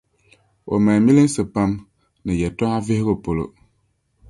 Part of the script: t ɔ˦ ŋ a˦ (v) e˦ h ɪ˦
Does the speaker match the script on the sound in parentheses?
yes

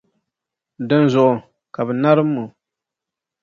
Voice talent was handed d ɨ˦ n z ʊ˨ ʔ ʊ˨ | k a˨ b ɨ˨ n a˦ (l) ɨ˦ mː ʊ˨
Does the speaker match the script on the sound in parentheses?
no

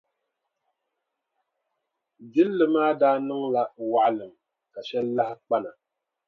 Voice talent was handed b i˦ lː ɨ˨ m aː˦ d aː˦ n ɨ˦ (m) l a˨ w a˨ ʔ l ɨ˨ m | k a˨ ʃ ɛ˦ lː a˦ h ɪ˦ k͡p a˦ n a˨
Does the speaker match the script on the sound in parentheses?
no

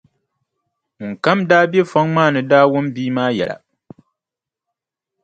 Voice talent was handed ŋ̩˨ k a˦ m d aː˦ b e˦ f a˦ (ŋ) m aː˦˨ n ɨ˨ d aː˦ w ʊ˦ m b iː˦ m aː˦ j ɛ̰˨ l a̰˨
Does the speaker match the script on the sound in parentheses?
yes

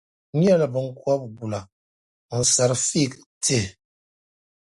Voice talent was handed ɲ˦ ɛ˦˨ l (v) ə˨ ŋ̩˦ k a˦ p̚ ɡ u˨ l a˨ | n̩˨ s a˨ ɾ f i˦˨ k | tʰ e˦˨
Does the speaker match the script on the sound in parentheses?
no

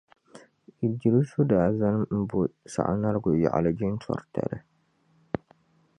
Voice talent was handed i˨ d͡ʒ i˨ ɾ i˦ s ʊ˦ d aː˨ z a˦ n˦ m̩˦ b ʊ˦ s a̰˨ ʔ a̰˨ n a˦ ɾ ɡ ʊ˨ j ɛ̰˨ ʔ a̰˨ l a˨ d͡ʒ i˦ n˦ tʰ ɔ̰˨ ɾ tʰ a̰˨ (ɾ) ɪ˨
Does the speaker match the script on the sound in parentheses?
yes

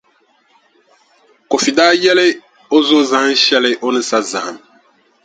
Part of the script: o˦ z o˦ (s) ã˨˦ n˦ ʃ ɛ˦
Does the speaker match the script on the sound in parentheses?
no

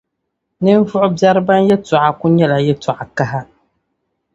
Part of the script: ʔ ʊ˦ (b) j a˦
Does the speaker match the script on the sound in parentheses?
yes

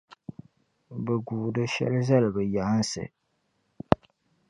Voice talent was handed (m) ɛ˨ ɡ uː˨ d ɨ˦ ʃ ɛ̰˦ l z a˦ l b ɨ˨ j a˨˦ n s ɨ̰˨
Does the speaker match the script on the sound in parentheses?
no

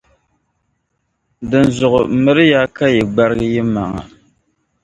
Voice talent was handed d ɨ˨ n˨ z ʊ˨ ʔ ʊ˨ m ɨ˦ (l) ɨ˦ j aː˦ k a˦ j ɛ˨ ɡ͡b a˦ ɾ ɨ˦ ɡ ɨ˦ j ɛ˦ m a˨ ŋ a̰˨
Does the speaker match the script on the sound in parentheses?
no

